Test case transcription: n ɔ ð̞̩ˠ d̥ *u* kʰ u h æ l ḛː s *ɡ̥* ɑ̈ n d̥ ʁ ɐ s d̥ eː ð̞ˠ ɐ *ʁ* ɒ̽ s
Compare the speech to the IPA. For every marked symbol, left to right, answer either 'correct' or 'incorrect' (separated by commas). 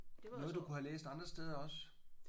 correct, incorrect, incorrect